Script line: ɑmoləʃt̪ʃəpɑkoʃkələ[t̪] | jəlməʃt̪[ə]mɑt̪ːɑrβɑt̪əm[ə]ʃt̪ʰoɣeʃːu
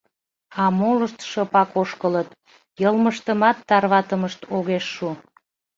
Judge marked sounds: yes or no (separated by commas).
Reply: yes, yes, yes